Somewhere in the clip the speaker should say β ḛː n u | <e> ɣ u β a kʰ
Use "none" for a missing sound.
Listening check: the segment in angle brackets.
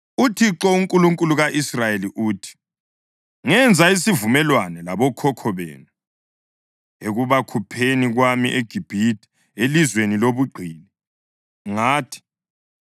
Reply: e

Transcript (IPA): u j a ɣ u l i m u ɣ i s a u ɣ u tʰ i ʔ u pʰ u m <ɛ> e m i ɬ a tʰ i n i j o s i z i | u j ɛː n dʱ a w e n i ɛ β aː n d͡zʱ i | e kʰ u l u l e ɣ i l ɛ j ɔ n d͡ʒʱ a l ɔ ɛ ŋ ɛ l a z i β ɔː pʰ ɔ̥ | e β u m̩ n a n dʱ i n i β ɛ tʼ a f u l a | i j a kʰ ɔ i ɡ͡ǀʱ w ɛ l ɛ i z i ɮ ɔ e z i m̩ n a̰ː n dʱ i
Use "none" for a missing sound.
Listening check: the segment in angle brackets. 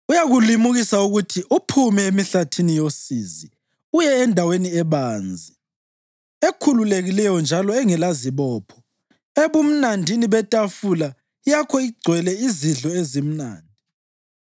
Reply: ɛ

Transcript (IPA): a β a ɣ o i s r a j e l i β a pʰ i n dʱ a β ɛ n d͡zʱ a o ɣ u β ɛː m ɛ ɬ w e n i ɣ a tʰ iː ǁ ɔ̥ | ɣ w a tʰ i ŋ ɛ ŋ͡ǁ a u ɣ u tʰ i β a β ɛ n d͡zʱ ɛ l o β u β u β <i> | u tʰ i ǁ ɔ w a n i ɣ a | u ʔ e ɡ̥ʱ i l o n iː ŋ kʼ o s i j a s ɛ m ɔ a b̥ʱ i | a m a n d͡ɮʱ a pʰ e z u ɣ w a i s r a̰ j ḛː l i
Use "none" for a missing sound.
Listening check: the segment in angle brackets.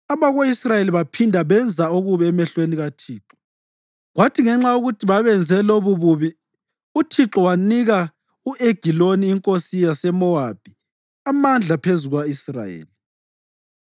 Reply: i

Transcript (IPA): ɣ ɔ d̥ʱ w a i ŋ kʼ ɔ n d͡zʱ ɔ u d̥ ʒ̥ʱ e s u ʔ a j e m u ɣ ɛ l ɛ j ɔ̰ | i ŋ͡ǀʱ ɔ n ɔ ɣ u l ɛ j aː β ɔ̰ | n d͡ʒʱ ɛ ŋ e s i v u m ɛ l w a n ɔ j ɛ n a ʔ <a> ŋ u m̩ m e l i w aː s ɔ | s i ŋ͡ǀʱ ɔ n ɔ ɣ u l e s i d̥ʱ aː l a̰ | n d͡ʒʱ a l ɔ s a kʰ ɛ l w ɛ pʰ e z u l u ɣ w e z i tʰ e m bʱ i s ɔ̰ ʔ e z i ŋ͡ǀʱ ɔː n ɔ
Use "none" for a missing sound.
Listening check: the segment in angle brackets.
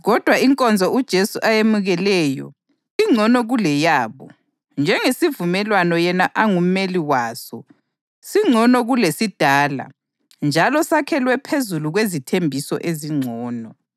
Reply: a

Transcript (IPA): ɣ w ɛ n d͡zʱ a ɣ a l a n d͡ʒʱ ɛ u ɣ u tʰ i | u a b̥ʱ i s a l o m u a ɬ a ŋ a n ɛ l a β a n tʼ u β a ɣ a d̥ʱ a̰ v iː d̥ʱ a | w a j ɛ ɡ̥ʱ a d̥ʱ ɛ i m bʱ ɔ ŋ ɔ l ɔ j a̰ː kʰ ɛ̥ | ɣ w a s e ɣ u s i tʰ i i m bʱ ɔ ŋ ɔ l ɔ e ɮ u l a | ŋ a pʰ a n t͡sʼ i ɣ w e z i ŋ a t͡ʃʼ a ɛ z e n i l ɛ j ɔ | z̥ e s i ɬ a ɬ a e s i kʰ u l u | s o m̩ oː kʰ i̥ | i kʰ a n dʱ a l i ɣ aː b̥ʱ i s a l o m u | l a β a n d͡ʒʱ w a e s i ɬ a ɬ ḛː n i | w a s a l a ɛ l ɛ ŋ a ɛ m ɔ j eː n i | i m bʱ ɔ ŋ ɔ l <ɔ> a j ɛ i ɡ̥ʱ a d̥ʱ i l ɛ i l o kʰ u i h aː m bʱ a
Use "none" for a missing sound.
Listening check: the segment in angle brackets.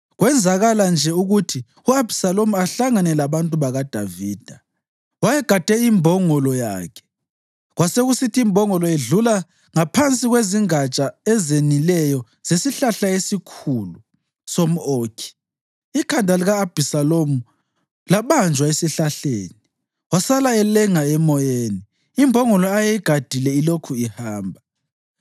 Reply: ɔ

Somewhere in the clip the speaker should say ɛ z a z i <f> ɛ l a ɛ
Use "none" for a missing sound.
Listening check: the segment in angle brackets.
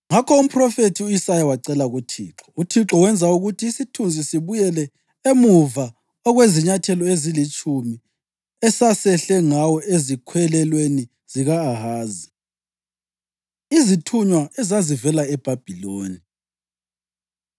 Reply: v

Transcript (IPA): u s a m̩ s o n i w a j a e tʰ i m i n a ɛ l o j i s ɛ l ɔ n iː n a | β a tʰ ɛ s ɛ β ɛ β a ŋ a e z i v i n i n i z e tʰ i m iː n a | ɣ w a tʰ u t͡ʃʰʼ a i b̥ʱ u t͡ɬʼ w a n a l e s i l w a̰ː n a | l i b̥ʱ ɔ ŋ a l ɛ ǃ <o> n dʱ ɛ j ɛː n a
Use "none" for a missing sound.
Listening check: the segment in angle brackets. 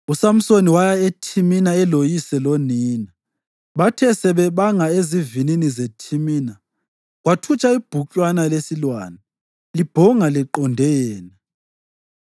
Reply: ɔ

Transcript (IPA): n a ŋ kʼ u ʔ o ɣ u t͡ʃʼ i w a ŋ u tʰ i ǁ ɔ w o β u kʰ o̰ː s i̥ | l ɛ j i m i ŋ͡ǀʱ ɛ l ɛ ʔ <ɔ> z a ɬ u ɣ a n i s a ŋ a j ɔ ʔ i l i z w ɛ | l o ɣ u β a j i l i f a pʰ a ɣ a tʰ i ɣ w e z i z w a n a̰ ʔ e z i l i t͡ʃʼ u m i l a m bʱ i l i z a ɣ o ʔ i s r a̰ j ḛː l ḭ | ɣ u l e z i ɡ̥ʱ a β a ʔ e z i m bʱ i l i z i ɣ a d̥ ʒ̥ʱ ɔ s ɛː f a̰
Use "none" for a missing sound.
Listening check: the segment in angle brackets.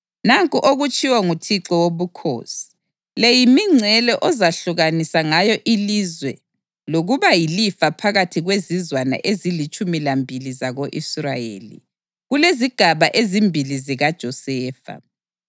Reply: ɔ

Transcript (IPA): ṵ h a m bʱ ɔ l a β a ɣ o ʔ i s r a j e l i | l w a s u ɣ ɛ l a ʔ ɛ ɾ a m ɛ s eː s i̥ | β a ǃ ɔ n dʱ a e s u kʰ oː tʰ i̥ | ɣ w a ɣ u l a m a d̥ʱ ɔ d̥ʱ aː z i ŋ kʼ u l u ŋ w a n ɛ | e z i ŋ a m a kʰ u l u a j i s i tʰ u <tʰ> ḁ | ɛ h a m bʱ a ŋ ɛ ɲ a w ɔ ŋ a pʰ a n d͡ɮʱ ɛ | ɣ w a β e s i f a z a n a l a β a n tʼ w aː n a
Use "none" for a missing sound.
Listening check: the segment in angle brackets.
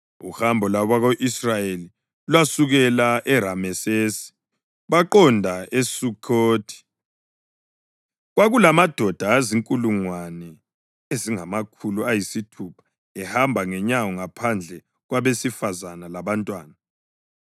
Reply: pʰ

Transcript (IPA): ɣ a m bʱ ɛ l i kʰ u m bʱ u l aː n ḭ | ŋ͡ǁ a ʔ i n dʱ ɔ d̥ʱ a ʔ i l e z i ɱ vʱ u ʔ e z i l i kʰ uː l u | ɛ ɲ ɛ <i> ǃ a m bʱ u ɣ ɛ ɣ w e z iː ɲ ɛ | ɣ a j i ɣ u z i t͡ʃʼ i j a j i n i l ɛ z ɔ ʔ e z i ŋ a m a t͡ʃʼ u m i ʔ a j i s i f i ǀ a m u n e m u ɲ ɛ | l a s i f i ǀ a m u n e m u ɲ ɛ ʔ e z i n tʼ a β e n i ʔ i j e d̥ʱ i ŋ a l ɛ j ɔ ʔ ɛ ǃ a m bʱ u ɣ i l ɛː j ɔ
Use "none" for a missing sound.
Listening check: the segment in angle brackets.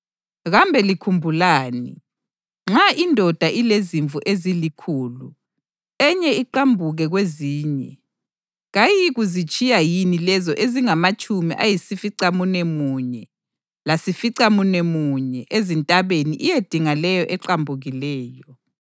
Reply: i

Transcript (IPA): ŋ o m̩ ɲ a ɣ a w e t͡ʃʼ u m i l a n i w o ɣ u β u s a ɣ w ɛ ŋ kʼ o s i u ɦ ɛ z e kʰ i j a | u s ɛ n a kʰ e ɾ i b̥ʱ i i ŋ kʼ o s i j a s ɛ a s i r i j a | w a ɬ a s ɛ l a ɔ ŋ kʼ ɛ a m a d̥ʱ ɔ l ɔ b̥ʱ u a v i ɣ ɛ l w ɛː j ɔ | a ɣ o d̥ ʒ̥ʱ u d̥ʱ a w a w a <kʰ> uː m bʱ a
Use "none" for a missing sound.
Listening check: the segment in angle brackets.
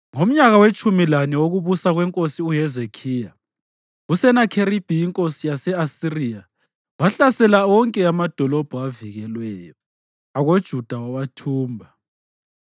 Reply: tʰ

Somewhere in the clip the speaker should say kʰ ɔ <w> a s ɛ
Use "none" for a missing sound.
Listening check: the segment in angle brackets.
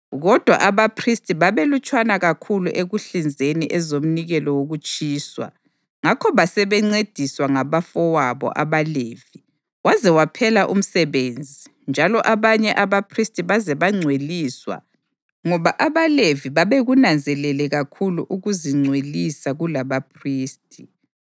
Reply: β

